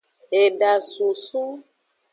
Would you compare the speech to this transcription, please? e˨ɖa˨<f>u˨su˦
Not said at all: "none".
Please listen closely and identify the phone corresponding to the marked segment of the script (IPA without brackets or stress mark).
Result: s